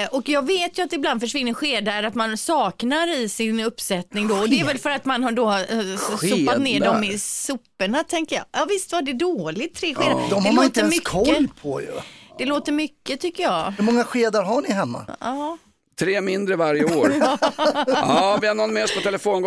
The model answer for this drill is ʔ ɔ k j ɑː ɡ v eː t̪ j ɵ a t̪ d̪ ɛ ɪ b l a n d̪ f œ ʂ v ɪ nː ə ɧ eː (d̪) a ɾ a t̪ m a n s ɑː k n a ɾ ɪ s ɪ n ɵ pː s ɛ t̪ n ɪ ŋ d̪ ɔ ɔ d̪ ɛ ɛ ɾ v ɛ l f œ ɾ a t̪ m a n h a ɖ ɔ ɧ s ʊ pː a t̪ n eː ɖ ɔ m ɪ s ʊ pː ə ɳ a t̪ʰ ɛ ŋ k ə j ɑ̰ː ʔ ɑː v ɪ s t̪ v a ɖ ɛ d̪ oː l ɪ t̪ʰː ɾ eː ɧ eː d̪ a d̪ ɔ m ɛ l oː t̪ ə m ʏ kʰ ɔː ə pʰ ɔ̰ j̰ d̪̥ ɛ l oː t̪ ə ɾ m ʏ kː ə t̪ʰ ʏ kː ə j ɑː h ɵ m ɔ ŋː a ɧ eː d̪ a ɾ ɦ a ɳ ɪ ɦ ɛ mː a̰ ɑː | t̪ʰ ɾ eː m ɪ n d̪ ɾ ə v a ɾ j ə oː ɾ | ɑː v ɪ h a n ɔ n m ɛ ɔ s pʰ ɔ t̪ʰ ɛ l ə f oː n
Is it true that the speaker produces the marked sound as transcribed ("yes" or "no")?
yes